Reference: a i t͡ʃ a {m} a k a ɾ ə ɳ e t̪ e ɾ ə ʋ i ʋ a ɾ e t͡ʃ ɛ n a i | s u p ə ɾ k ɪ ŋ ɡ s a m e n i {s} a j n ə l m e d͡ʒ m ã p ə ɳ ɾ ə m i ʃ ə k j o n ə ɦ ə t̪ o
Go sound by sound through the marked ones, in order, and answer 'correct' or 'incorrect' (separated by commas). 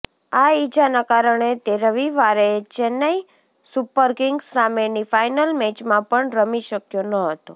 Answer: incorrect, incorrect